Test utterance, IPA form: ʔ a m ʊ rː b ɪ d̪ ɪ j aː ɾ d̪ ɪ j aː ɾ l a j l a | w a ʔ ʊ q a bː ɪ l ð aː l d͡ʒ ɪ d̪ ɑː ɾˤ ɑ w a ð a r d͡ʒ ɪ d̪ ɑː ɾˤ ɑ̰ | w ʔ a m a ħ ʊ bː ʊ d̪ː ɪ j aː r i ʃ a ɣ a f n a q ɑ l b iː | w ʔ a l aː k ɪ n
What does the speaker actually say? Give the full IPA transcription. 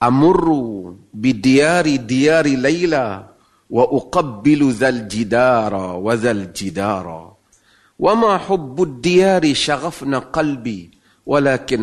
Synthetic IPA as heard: ʔ a m ʊ rː b ɪ d̪ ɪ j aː ɾ d̪ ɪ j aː ɾ l a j l a | w a ʔ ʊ q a bː ɪ l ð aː l d͡ʒ ɪ d̪ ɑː ɾˤ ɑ w a ð a l d͡ʒ ɪ d̪ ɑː ɾˤ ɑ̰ | w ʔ a m a ħ ʊ bː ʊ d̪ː ɪ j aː ɾ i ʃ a ɣ a f n a q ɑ l b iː | w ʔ a l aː k ɪ n